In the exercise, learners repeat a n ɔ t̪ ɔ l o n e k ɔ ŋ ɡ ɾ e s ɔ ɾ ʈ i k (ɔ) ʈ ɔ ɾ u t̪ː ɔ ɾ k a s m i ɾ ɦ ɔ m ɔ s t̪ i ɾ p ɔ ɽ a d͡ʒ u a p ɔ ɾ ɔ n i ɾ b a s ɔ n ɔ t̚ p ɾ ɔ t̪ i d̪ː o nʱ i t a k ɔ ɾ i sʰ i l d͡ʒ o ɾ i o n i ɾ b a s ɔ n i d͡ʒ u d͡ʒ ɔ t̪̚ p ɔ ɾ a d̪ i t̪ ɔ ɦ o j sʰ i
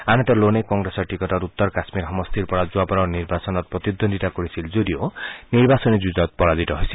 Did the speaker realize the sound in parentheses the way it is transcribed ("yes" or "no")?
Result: yes